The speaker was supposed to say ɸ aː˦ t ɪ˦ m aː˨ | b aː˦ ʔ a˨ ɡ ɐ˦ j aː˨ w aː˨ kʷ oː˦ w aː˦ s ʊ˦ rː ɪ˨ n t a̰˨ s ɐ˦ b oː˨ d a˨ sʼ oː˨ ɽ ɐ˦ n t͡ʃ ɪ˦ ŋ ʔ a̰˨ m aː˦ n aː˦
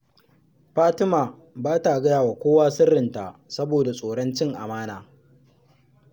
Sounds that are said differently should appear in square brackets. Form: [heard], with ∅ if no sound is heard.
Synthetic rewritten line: ɸ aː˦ t ɪ˦ m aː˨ | b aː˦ [t] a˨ ɡ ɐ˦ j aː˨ w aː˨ kʷ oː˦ w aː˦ s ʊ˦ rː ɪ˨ n t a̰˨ s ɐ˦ b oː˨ d a˨ sʼ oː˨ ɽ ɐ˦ n t͡ʃ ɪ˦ ŋ ʔ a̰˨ m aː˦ n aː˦